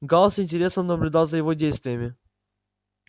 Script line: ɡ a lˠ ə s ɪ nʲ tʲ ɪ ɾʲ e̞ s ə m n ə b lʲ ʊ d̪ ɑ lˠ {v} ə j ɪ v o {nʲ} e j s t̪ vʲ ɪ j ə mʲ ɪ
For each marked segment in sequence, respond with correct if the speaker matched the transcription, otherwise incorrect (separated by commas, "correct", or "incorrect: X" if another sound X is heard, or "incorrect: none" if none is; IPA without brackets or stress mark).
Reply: incorrect: z, incorrect: dʲ